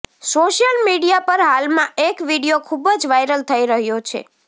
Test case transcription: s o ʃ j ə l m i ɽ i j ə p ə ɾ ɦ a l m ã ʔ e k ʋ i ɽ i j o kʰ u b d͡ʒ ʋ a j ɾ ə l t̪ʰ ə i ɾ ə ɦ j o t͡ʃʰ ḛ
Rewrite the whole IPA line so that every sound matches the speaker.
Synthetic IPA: s o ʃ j ə l m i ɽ i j a p ə ɾ ɦ a l m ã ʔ e k ʋ i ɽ i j o kʰ u b d͡ʒ ʋ a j ɾ ə l t̪ʰ ə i ɾ ə ɦ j o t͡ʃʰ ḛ